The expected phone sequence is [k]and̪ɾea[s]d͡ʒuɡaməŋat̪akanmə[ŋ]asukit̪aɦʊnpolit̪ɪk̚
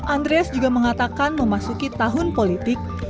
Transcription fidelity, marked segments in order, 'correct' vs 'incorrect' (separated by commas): incorrect, correct, incorrect